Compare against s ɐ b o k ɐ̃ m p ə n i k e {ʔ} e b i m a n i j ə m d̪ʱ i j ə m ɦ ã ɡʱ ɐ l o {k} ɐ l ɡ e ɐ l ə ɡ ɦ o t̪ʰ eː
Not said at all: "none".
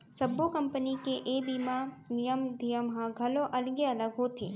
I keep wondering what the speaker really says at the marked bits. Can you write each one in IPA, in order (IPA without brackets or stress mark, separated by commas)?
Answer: ʔ, ʔ